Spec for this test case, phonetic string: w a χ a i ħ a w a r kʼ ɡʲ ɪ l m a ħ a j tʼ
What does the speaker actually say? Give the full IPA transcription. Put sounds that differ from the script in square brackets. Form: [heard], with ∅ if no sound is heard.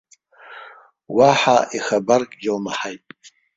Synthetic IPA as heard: w a [ħ] a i [χ] a [b] a r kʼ ɡʲ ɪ l m a ħ a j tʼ